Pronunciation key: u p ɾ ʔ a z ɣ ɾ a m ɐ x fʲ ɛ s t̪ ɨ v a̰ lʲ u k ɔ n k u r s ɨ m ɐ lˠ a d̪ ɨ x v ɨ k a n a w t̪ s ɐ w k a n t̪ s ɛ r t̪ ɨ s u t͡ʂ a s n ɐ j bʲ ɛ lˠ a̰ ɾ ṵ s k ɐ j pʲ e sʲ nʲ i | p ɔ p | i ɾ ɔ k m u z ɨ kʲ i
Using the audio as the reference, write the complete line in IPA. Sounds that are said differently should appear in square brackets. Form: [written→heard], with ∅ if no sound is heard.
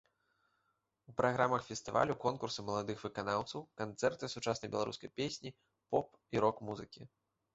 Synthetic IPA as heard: u p ɾ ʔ a [z→∅] ɣ ɾ a m ɐ x fʲ ɛ s t̪ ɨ v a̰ lʲ u k ɔ n k u r s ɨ m ɐ lˠ a d̪ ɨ x v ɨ k a n a w t̪ s ɐ w k a n t̪ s ɛ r t̪ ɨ s u t͡ʂ a s n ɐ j bʲ ɛ lˠ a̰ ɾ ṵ s k ɐ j pʲ e sʲ nʲ i | p ɔ p | i ɾ ɔ k m u z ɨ kʲ i